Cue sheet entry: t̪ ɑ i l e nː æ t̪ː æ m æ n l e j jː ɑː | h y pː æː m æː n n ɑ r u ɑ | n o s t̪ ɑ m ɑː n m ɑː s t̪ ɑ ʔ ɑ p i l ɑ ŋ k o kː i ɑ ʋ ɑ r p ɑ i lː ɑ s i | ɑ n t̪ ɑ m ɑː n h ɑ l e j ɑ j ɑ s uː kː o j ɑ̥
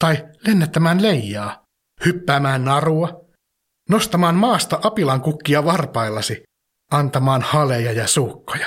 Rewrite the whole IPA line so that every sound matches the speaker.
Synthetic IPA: t̪ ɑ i l e nː æ t̪ː æ m æː n l e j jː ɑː | h y pː æː m æː n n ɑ r u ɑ | n o s t̪ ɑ m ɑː n m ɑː s t̪ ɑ ʔ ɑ p i l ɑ ŋ k u kː i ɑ ʋ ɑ r p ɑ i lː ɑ s i | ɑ n t̪ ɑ m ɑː n h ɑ l e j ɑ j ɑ s uː kː o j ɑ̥